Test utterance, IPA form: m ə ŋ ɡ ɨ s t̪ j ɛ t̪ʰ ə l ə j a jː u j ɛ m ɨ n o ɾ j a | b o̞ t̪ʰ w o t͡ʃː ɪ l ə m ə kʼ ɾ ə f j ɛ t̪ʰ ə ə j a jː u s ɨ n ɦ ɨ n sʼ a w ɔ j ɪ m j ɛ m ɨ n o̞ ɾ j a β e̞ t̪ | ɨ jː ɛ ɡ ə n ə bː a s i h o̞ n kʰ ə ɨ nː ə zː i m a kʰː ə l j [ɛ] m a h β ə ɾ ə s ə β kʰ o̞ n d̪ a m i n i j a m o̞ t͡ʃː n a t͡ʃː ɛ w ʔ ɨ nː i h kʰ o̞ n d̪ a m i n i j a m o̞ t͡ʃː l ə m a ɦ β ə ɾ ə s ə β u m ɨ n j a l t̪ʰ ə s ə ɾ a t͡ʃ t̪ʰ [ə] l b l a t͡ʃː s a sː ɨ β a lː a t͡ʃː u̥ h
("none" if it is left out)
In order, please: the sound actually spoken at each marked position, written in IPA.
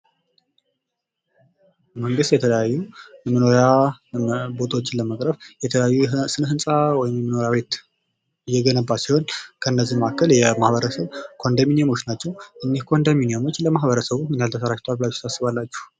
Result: ɛ, a

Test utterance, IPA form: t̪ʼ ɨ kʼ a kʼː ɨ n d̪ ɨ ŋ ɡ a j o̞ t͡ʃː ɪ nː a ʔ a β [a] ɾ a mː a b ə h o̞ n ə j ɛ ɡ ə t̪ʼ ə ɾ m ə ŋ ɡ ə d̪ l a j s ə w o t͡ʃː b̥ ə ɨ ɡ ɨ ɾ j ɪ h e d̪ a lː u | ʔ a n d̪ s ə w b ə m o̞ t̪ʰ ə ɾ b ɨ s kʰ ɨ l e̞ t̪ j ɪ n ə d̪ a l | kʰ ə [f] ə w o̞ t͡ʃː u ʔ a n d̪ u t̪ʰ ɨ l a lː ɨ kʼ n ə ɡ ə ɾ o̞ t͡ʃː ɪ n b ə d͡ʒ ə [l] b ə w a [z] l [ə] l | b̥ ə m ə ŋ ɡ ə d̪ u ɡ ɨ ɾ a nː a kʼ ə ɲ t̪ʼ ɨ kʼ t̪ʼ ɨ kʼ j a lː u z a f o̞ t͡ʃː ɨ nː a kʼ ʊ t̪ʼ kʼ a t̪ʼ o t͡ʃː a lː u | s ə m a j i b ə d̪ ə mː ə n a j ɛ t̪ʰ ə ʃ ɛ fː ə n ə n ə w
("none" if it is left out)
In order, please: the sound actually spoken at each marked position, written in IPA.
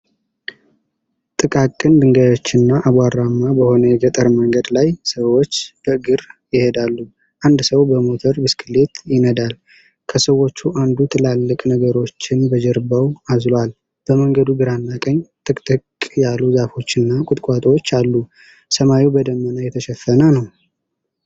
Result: a, s, ɾ, z, a

